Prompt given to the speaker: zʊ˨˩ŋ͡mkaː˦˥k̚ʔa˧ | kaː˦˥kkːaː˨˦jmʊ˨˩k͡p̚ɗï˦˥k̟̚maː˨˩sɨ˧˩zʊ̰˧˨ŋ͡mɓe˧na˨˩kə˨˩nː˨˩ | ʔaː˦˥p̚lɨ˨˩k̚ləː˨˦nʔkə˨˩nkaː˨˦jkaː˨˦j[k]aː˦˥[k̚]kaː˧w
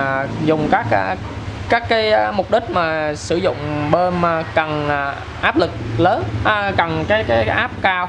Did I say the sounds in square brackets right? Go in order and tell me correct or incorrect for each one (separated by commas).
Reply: incorrect, incorrect